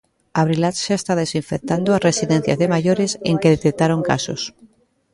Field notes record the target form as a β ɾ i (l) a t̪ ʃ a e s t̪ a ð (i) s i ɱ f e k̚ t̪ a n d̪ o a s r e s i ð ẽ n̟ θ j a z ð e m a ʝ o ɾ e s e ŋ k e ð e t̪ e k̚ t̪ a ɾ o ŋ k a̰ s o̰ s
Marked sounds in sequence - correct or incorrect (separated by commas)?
correct, incorrect